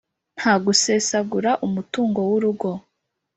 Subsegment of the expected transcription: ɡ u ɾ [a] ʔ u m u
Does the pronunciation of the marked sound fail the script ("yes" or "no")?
no